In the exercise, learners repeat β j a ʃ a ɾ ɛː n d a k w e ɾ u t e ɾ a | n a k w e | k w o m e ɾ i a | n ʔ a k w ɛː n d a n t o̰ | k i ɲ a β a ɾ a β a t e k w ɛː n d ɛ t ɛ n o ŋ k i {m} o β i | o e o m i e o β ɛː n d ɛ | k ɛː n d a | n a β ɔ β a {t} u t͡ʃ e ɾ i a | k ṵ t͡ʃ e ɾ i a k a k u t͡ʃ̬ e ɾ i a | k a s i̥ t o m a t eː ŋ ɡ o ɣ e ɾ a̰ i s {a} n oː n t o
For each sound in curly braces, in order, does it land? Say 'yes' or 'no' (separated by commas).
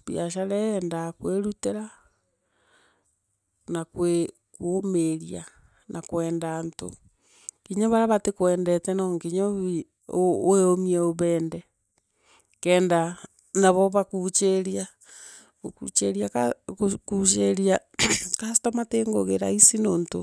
no, no, no